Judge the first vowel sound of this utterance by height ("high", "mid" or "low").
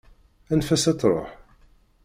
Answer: low